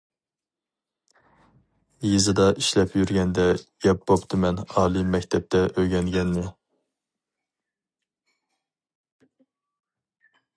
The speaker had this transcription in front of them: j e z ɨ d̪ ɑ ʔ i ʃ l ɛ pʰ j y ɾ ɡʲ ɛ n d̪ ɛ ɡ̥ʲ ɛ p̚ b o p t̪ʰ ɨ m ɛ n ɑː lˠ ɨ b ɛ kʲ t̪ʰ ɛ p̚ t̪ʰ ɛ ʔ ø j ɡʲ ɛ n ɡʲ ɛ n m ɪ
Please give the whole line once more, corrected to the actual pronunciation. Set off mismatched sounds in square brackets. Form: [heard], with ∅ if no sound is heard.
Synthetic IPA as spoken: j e z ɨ d̪ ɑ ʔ i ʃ l ɛ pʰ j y ɾ ɡʲ ɛ n d̪ ɛ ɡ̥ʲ ɛ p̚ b o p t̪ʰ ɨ m ɛ n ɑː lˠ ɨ [m] ɛ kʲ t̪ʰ ɛ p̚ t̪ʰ ɛ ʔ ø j ɡʲ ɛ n ɡʲ ɛ n m ɪ